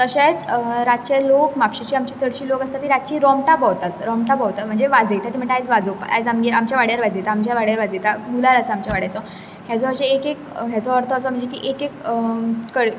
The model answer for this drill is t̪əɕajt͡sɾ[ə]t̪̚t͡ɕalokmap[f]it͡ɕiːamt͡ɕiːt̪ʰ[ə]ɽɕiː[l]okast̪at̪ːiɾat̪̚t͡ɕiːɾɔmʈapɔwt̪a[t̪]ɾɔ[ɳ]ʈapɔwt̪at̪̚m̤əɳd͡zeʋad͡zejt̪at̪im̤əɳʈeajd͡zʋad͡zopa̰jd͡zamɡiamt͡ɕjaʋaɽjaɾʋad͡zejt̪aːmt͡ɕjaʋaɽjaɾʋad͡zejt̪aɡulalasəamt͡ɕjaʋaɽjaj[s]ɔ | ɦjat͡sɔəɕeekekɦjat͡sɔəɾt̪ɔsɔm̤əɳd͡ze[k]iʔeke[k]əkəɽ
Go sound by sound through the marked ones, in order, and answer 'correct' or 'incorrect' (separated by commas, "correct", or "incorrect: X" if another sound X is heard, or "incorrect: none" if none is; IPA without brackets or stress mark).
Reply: incorrect: a, incorrect: ɕ, correct, correct, correct, incorrect: m, incorrect: t͡s, correct, correct